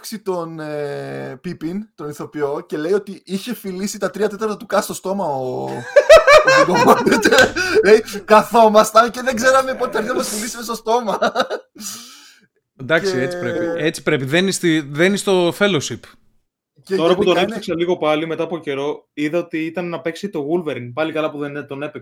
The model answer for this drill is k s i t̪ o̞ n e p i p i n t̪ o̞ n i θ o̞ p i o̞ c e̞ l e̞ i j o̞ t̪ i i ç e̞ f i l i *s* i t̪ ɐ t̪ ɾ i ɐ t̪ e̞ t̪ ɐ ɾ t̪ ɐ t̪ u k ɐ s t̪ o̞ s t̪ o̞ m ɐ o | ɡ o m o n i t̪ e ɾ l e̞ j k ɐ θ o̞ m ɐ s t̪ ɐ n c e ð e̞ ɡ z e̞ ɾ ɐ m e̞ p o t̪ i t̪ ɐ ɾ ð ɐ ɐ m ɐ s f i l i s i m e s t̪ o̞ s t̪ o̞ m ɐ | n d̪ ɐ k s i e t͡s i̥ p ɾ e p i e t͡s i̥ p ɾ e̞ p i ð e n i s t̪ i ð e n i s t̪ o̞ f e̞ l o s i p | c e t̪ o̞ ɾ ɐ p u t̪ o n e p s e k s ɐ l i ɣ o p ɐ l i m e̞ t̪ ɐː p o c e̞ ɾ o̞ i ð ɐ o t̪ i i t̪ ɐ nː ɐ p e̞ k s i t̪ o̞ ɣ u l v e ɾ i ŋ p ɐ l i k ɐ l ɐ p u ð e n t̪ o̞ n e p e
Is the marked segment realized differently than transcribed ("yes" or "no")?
no